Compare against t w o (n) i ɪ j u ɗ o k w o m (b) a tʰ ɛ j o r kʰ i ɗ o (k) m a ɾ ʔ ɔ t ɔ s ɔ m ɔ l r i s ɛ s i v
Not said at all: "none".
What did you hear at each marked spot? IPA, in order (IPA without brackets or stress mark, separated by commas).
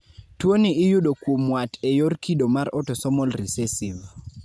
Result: n, w, none